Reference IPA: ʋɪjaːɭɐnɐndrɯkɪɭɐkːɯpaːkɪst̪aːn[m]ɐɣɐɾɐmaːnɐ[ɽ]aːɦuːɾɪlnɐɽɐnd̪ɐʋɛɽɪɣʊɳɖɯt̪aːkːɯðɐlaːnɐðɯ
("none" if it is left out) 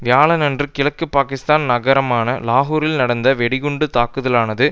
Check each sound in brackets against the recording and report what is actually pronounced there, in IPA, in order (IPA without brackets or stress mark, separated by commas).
n, l